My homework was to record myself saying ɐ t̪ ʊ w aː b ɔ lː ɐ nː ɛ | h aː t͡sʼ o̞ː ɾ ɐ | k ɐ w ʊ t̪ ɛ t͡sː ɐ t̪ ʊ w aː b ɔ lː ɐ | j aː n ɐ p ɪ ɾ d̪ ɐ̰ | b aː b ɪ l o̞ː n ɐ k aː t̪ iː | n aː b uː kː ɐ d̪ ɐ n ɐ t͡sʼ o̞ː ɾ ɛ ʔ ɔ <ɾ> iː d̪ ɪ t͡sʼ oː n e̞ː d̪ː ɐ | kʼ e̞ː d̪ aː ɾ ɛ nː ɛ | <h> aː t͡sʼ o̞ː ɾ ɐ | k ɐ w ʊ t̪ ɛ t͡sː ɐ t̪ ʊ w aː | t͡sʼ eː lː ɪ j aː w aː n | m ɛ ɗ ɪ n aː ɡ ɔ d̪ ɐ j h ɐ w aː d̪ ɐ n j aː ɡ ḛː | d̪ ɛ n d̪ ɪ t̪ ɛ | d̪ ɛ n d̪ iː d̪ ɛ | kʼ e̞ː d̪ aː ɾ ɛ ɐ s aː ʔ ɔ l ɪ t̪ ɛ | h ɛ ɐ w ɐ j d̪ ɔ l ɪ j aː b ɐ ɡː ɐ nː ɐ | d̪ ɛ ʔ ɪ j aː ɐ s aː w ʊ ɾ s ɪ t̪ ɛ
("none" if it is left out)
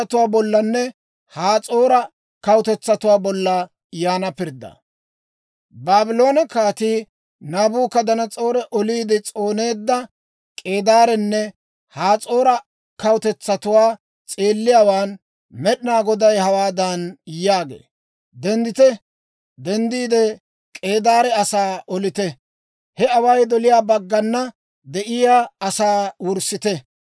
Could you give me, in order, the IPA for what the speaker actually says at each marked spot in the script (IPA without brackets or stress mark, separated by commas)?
l, h